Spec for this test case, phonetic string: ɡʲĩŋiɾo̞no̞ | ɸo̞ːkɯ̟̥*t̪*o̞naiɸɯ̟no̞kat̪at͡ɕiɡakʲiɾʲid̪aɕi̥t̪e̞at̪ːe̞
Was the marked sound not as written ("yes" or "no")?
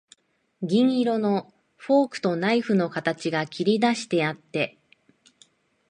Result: no